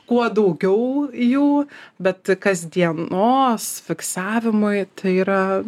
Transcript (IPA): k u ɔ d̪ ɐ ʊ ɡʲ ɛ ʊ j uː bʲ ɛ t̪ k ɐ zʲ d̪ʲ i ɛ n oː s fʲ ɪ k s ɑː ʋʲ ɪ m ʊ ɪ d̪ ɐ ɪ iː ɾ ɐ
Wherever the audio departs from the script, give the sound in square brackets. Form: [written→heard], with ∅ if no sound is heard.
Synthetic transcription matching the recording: k u ɔ d̪ ɐ ʊ ɡʲ ɛ ʊ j uː bʲ ɛ t̪ k ɐ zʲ d̪ʲ i ɛ n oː s fʲ ɪ k s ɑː ʋʲ ɪ m ʊ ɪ [d̪→t̪] ɐ ɪ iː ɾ ɐ

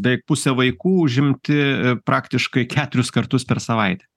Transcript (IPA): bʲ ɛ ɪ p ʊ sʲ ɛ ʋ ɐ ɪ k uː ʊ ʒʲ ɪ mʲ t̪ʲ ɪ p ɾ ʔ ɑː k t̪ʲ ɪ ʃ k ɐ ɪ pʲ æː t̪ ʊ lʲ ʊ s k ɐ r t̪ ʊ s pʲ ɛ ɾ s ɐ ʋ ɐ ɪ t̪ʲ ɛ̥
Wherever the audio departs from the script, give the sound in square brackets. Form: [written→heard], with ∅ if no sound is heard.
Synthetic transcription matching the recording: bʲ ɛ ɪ p ʊ sʲ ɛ ʋ ɐ ɪ k uː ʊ ʒʲ ɪ mʲ t̪ʲ ɪ p ɾ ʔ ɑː k t̪ʲ ɪ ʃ k ɐ ɪ [pʲ→kʲ] æː t̪ ʊ [lʲ→ɾʲ] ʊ s k ɐ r t̪ ʊ s pʲ ɛ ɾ s ɐ ʋ ɐ ɪ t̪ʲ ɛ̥

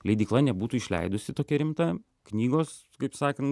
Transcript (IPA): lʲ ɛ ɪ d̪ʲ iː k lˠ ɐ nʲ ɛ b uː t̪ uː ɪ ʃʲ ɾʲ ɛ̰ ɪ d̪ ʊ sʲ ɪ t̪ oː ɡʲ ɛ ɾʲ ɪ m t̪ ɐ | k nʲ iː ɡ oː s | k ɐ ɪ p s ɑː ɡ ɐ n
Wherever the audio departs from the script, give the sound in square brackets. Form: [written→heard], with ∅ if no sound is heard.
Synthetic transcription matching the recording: lʲ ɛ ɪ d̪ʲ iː k lˠ ɐ nʲ ɛ b uː t̪ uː ɪ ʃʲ [ɾʲ→lʲ] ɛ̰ ɪ d̪ ʊ sʲ ɪ t̪ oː [ɡʲ→kʲ] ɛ ɾʲ ɪ m t̪ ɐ | k nʲ iː ɡ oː s | k ɐ ɪ p s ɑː [ɡ→k] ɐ n

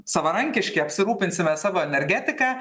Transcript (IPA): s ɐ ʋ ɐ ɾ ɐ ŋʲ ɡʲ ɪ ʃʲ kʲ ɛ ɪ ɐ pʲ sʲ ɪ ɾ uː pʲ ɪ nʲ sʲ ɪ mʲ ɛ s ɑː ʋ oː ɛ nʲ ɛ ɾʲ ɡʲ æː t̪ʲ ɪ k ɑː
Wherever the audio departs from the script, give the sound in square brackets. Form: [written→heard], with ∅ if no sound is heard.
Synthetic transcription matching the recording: s ɐ ʋ ɐ ɾ ɐ ŋʲ [ɡʲ→kʲ] ɪ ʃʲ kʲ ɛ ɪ ɐ pʲ sʲ ɪ ɾ uː pʲ ɪ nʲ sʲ ɪ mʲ ɛ s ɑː ʋ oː ɛ nʲ ɛ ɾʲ ɡʲ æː t̪ʲ ɪ k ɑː

